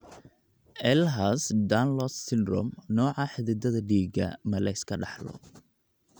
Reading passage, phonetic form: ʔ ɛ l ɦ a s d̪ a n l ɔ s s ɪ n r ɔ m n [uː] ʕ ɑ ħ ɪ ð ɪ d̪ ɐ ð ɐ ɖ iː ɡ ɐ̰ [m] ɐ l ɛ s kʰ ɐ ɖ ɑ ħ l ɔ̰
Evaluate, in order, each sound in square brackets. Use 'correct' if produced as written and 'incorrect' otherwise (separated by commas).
incorrect, correct